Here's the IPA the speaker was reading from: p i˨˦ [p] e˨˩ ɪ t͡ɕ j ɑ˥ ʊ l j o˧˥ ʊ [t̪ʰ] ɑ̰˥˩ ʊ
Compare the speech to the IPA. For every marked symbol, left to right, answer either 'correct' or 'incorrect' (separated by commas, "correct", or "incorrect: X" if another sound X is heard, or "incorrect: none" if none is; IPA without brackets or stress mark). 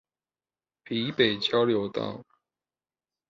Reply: correct, incorrect: t̪